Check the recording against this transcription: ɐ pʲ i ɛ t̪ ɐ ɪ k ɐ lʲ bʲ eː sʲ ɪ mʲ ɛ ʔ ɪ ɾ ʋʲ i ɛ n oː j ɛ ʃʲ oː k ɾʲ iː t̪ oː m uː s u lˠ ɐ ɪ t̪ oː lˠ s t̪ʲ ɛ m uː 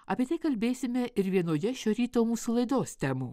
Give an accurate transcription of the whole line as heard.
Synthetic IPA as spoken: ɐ pʲ i ɛ t̪ ɐ ɪ k ɐ lʲ bʲ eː sʲ ɪ mʲ ɛ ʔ ɪ ɾ ʋʲ i ɛ n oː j ɛ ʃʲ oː ɾʲ iː t̪ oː m uː s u lˠ ɐ ɪ d̪ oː s t̪ʲ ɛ m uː